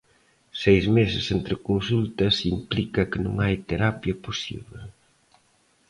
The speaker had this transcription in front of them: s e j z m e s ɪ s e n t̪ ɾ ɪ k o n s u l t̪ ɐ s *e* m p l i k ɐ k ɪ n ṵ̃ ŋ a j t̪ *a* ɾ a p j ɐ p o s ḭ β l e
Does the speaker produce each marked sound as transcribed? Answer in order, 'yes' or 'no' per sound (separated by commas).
no, no